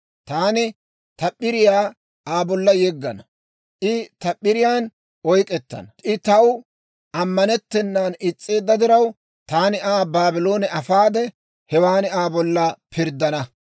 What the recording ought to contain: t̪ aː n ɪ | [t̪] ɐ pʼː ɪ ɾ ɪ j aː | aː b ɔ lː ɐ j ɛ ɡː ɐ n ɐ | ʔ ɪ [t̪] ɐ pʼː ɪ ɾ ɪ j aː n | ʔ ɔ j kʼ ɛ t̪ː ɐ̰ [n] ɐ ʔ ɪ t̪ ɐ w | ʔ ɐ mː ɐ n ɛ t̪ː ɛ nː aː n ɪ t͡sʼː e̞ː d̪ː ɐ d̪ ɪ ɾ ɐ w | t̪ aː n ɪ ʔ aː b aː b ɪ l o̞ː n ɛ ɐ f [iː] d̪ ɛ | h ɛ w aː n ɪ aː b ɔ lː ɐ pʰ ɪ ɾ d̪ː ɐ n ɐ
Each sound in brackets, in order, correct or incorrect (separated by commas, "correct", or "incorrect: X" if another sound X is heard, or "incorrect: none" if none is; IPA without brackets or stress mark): correct, correct, correct, incorrect: aː